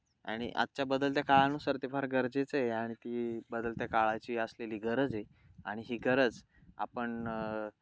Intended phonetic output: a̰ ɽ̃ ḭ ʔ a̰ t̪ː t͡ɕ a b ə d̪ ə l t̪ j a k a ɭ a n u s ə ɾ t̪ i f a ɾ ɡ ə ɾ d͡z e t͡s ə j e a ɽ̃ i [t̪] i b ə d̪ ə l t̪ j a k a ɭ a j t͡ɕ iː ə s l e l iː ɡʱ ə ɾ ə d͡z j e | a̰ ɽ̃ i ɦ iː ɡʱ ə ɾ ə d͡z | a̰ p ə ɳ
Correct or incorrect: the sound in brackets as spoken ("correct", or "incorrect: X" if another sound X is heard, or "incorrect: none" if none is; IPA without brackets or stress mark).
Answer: correct